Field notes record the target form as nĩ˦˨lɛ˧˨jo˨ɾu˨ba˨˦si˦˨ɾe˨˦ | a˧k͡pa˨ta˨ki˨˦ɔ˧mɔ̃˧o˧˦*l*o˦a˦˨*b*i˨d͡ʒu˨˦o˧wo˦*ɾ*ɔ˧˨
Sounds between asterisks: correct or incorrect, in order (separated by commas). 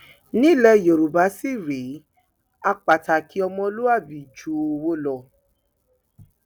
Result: correct, correct, incorrect